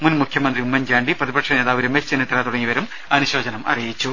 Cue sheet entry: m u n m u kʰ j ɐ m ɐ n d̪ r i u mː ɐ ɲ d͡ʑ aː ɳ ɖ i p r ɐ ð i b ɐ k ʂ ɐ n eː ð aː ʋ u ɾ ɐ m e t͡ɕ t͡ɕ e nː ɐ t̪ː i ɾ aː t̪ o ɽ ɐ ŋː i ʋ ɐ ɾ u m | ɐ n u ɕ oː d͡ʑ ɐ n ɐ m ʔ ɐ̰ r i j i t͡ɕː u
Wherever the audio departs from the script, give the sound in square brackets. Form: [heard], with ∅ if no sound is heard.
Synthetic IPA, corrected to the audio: m u n m u kʰ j ɐ m ɐ n d̪ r i u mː ɐ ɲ d͡ʑ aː ɳ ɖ i p r ɐ ð i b ɐ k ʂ ɐ n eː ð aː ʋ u ɾ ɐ m e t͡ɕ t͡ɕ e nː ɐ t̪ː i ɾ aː t̪ [u] ɽ ɐ ŋː i ʋ ɐ ɾ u m | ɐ n u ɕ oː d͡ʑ ɐ n ɐ m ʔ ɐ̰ r i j i t͡ɕː u